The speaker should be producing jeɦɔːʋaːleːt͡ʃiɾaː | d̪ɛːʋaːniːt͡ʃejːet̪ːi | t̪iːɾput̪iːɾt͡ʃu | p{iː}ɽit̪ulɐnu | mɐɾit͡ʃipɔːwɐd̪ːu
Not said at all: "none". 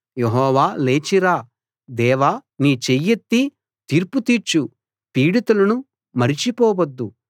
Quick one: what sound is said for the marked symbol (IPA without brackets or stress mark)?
iː